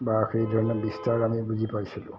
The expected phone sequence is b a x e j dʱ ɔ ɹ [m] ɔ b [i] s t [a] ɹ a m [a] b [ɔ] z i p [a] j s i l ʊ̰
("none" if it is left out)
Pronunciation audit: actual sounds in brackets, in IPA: n, i, a, i, u, a

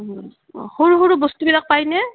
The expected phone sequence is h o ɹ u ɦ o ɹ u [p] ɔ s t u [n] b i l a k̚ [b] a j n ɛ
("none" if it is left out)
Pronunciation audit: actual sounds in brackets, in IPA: b, none, p

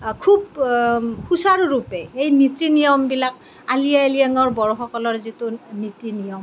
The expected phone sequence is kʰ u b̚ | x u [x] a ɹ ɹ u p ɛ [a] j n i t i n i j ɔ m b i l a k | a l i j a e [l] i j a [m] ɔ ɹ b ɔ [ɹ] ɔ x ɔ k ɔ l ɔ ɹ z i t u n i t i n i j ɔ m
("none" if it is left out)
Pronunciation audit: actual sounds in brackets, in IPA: s, e, l, ŋ, ɹ

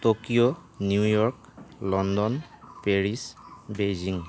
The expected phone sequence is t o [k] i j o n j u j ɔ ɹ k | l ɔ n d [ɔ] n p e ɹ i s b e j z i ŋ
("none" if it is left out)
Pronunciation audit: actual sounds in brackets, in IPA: k, ɔ

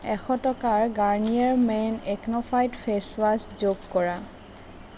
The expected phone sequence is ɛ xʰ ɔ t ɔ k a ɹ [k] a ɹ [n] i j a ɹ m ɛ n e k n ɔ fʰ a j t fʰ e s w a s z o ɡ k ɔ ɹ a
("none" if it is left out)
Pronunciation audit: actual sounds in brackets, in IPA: ɡ, n

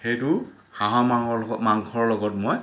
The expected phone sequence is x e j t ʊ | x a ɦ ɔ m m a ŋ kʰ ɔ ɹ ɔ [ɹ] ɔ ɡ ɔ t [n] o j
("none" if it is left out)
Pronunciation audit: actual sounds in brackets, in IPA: l, m

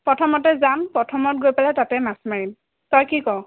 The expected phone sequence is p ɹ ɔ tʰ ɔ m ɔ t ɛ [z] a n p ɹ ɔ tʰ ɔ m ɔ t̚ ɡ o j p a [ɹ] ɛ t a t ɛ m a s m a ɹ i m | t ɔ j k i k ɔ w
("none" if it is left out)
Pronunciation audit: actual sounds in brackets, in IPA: z, l

